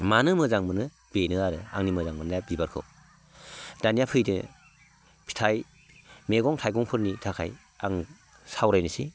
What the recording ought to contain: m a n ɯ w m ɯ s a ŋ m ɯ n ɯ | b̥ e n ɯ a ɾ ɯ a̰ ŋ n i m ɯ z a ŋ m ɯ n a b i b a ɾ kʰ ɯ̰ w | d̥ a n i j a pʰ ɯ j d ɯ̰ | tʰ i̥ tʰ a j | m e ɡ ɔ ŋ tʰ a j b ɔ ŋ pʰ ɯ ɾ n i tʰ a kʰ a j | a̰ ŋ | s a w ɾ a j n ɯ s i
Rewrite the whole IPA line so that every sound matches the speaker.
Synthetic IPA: m a n ɯ m ɯ z a ŋ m ɯ n ɯ | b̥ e n ɯ a ɾ ɯ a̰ ŋ n i m ɯ z a ŋ m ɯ n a b i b a ɾ kʰ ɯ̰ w | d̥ a n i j a pʰ ɯ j d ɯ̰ | pʰ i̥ tʰ a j | m e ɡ ɔ ŋ tʰ a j ɡ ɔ ŋ pʰ ɯ ɾ n i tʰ a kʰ a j | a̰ ŋ | s a w ɾ a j n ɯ s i